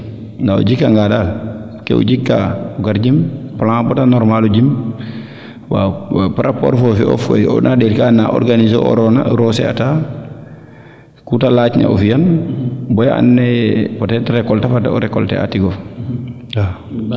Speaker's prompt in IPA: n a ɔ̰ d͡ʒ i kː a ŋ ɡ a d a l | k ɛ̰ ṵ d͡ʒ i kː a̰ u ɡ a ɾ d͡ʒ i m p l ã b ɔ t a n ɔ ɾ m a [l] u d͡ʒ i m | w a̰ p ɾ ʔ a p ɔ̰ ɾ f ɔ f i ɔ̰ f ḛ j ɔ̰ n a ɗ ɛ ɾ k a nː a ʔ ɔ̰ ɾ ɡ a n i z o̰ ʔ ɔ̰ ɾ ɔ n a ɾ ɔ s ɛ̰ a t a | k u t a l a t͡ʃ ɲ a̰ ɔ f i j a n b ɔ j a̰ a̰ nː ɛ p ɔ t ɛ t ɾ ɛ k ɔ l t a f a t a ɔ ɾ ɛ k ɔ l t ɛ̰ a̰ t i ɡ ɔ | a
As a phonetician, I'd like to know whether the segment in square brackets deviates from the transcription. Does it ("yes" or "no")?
no